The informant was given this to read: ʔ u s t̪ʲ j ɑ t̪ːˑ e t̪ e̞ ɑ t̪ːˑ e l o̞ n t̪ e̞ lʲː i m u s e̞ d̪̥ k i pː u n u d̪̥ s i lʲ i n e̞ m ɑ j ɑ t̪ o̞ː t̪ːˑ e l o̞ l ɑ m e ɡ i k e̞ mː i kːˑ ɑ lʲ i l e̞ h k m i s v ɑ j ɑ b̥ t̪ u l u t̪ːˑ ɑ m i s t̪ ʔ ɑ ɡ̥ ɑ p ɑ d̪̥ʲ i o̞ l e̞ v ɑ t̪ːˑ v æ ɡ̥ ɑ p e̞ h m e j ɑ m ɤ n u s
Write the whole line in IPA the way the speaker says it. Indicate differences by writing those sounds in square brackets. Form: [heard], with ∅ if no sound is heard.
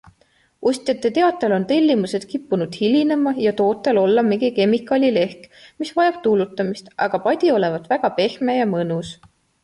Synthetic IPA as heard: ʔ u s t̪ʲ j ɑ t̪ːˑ e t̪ e̞ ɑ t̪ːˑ e l o̞ n t̪ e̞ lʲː i m u s e̞ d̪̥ k i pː u n u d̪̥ [h] i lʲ i n e̞ m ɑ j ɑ t̪ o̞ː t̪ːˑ e l o̞ [lː] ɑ m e ɡ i k e̞ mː i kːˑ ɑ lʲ i l e̞ h k m i s v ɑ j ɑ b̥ t̪ u l u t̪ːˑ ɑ m i s t̪ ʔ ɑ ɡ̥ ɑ p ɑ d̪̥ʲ i o̞ l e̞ v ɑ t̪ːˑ v æ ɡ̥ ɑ p e̞ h m e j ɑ m ɤ n u s

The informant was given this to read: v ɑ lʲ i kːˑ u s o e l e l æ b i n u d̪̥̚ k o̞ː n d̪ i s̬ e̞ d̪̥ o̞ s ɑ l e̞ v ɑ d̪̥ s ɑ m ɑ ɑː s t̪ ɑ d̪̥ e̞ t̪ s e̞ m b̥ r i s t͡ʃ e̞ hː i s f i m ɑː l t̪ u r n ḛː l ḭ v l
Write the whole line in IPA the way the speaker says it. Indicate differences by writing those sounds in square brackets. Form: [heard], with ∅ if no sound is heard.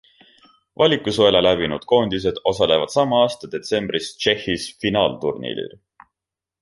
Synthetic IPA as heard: v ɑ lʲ i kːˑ u s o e l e l æ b i n u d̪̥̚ k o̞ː n d̪ i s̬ e̞ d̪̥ o̞ s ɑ l e̞ v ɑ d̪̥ s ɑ m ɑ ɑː s t̪ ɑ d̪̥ e̞ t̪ s e̞ m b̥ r i s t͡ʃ e̞ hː i s f i [n] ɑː l t̪ u r n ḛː l ḭ [∅] l

